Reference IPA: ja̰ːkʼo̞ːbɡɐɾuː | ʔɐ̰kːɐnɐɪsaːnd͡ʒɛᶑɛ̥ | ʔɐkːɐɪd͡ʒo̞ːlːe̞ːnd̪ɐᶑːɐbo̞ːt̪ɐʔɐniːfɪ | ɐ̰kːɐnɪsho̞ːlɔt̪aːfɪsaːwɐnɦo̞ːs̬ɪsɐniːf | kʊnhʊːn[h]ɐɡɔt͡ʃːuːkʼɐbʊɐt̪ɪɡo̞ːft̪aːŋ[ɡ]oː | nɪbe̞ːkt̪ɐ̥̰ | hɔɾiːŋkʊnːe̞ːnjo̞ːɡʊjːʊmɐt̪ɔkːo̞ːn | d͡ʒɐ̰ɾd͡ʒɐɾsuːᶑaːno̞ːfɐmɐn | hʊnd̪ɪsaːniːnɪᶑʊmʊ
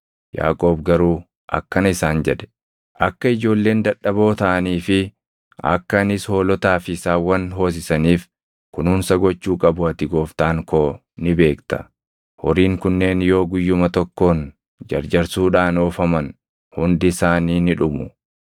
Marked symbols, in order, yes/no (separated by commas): no, no